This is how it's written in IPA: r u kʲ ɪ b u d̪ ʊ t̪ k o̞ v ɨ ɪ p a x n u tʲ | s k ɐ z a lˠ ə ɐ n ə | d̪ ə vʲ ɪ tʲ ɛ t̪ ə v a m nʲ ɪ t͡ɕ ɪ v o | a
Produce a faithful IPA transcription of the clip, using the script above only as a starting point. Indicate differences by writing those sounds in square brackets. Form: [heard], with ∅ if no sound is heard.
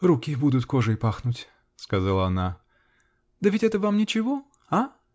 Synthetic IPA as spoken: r u kʲ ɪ b u d̪ ʊ t̪ k o̞ [ʐ] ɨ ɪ p a x n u tʲ | s k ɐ z a lˠ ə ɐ n [a] | d̪ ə vʲ ɪ tʲ ɛ t̪ ə v a m nʲ ɪ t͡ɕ ɪ v o | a